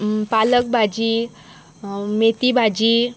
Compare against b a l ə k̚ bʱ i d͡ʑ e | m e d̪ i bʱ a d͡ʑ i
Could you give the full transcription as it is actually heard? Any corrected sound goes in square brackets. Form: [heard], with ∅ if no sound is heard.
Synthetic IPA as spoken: [p] a l ə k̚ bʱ [a] d͡ʑ [i] | m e [t̪] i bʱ a d͡ʑ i